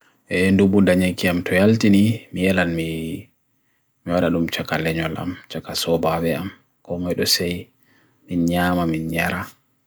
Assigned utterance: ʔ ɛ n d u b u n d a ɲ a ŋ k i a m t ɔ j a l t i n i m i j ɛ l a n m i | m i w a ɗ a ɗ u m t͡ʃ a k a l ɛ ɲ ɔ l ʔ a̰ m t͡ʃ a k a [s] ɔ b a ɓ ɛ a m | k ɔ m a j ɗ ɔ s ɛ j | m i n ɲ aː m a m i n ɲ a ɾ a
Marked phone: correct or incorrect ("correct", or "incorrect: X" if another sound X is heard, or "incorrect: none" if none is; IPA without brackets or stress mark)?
correct